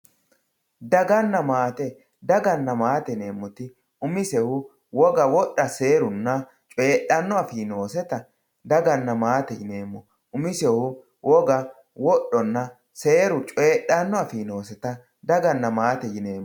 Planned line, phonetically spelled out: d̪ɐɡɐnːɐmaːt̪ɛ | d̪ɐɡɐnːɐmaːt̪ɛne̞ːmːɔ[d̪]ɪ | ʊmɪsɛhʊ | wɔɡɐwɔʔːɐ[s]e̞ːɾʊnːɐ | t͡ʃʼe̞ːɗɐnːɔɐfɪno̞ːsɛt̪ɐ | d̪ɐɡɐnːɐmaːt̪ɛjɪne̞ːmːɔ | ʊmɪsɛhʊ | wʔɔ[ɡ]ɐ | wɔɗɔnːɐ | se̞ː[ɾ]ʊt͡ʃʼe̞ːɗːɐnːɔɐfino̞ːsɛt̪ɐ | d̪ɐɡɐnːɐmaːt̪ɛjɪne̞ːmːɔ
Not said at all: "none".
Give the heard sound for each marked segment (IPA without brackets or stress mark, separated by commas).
t̪, s, ɡ, ɾ